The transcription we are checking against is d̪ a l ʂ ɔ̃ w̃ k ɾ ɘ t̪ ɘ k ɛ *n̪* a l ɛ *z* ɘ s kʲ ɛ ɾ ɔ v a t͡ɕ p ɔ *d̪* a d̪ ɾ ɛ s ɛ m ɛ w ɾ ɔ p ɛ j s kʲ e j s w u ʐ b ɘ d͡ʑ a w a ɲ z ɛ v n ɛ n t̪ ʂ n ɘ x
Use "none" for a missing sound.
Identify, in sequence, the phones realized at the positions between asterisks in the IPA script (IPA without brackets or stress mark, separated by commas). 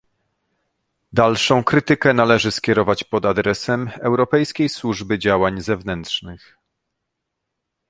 n̪, ʐ, d̪